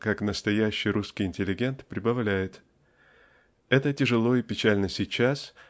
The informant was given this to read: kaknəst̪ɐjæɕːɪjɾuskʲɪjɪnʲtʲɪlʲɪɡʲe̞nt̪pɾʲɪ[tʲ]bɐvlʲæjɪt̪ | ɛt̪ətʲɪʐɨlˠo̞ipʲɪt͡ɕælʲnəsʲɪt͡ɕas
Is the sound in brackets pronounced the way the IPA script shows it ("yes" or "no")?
no